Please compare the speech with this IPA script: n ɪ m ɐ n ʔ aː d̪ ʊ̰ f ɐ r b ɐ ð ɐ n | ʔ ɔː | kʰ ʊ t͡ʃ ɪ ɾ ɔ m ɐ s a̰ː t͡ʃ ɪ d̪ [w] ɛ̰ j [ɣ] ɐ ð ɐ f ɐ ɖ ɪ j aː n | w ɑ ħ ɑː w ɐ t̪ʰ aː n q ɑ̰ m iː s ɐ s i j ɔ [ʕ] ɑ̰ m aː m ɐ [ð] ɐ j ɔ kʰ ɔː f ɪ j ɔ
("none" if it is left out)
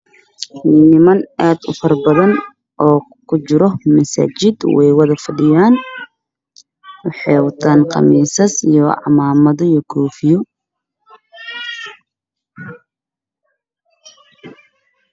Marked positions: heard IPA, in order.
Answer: w, w, ʕ, ð

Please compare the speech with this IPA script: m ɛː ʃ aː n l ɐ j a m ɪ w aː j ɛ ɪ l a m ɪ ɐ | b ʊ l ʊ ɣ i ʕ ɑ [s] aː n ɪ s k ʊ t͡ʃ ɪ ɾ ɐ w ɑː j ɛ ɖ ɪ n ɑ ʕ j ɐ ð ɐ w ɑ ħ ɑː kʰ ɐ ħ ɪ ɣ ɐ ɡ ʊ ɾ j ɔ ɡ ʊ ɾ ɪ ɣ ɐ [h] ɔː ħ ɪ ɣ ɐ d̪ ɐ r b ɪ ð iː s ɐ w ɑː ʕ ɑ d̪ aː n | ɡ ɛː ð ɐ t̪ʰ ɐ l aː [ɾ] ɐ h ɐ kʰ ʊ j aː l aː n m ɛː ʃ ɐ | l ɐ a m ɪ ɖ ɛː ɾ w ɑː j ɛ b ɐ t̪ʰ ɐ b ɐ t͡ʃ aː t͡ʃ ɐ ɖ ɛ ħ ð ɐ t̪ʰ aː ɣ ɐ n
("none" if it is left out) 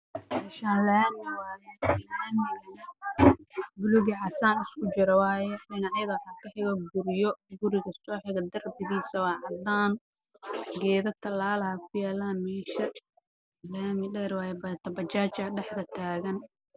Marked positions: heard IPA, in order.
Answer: s, s, l

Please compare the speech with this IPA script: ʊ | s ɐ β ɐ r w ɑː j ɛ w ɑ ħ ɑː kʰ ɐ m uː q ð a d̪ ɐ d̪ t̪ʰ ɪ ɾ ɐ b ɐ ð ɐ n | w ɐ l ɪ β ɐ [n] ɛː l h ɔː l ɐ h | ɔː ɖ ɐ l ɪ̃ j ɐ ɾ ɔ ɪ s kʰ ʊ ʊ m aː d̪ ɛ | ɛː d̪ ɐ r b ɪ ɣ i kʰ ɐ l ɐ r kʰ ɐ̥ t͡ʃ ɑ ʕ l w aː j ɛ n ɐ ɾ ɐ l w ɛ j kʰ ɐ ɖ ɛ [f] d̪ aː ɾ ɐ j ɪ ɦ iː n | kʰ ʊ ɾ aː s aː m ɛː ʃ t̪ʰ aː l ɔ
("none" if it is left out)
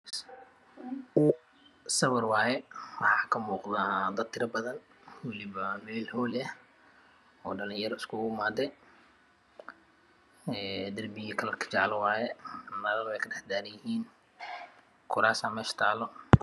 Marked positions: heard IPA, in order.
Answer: m, ħ

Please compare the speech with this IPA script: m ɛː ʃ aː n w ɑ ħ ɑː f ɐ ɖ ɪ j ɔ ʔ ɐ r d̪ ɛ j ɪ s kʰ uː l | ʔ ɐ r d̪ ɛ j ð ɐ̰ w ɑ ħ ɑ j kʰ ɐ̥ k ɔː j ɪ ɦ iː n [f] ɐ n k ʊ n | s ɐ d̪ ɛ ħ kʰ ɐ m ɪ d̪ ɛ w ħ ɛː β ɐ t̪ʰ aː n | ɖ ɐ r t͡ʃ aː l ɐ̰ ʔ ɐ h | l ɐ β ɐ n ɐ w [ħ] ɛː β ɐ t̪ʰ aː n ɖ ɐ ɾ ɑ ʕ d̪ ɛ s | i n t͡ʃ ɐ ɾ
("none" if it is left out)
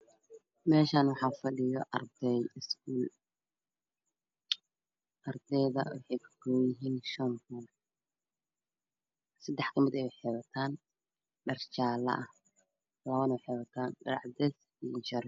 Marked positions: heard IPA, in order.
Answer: ʃ, ħ

